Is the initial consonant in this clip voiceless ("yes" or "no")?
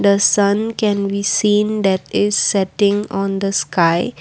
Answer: no